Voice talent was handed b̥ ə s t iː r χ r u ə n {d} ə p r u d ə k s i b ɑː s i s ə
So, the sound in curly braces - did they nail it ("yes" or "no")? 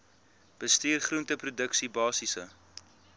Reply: no